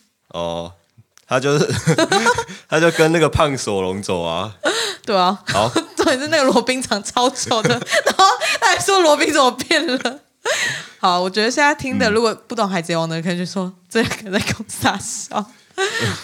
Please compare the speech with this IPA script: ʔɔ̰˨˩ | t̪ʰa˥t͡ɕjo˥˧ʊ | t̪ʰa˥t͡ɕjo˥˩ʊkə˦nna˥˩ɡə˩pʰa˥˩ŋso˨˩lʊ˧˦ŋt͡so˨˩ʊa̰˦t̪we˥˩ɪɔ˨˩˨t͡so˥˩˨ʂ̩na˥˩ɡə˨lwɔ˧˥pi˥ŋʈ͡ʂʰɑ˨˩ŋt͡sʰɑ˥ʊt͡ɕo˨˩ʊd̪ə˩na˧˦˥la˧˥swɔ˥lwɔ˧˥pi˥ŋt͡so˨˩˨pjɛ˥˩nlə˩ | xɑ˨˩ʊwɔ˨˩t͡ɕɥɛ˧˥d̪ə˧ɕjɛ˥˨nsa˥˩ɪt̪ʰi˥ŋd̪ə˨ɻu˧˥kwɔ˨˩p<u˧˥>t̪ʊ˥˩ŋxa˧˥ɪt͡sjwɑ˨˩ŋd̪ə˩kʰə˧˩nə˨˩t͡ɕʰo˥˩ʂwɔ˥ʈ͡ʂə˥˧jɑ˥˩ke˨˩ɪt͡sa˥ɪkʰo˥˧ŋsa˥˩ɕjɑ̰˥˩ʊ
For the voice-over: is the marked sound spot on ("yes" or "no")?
no